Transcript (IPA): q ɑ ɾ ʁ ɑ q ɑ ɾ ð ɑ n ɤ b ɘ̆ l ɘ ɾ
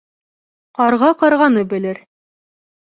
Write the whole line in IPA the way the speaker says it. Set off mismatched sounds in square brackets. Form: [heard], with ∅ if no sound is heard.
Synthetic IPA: q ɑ ɾ ʁ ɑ q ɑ ɾ [ʁ] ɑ n ɤ b ɘ̆ l ɘ ɾ